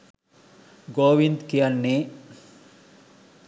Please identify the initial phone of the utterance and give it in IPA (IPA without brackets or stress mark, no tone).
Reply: ɡ